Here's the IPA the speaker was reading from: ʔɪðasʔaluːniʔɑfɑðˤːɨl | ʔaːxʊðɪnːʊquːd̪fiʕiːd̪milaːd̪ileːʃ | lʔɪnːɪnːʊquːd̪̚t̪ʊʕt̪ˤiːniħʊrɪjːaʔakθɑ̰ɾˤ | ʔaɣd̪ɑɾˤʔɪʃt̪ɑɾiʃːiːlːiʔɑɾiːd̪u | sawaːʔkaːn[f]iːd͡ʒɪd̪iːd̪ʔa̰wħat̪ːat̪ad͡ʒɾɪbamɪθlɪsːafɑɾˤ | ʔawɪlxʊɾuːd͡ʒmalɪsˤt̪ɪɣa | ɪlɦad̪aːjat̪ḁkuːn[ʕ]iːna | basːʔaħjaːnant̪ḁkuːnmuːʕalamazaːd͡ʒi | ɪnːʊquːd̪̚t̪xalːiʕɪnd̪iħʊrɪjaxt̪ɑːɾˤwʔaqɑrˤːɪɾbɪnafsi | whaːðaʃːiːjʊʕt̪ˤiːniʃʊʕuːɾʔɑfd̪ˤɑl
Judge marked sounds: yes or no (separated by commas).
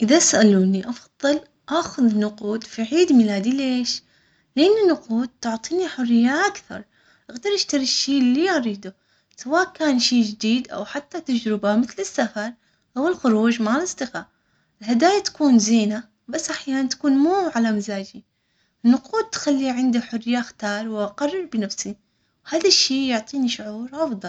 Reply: no, no